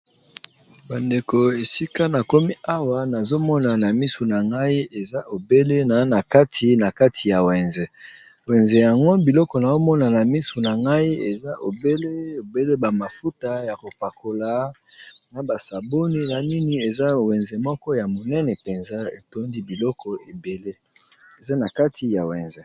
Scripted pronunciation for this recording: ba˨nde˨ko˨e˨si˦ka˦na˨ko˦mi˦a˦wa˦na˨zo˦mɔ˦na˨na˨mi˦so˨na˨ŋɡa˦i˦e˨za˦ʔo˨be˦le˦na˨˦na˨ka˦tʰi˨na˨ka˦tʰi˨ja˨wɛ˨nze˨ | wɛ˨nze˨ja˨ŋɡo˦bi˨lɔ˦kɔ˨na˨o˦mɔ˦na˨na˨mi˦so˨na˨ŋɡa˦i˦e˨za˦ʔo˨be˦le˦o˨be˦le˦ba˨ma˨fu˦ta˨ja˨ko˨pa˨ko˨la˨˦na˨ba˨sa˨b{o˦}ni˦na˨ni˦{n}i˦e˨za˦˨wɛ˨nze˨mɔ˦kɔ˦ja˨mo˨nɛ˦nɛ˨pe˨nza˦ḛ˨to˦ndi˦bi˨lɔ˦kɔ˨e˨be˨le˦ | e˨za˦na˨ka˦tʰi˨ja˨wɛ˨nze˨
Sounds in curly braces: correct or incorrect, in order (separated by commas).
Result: correct, correct